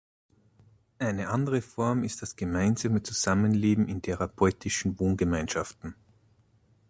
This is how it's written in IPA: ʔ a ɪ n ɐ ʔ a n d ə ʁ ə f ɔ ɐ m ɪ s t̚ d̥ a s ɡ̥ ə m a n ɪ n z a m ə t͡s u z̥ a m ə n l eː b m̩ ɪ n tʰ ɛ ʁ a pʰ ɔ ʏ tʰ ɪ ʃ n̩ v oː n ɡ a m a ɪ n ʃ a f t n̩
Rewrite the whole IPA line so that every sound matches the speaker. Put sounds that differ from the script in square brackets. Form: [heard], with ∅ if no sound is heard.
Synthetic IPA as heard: ʔ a ɪ n [ə] ʔ a n d ə ʁ ə f ɔ ɐ m ɪ s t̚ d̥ a s ɡ̥ ə m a [∅] ɪ n z a m ə t͡s u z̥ a m ə n l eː b m̩ ɪ n tʰ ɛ ʁ a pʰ ɔ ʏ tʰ ɪ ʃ n̩ v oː n ɡ [ə] m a ɪ n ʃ a f t n̩